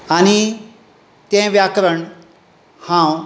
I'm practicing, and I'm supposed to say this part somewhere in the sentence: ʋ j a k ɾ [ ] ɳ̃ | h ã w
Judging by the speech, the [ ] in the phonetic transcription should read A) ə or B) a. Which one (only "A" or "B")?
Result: A